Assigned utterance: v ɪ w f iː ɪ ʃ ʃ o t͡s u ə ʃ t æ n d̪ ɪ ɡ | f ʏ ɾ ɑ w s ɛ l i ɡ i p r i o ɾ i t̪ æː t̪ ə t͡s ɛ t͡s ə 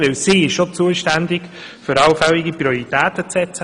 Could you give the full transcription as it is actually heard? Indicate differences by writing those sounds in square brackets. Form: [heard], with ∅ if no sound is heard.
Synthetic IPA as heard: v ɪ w [s] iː ɪ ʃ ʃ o t͡s u ə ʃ t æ n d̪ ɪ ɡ | f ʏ ɾ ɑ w [f] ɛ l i ɡ i p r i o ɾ i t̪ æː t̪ ə t͡s ɛ t͡s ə